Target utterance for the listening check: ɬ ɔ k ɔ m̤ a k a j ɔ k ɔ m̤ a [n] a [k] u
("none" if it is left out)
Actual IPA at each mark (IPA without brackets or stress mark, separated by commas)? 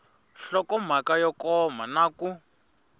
n, k